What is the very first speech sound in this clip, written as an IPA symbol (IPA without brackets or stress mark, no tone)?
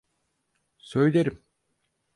s